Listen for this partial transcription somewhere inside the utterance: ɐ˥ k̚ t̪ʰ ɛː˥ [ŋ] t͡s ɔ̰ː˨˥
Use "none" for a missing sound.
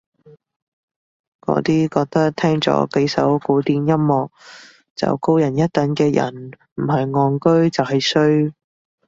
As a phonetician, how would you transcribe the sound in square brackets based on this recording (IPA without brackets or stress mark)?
ŋ